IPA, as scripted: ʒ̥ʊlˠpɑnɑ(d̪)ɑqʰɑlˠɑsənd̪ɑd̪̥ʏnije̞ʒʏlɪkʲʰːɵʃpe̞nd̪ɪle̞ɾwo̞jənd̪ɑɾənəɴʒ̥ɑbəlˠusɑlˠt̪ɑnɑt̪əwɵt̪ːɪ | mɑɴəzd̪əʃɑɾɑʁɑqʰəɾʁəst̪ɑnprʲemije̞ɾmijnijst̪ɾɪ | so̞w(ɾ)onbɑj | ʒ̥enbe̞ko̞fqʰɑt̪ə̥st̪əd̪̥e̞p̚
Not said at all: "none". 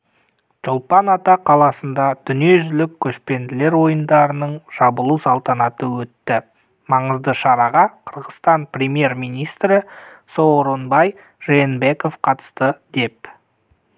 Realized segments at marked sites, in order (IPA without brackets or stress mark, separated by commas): t̪, ɾ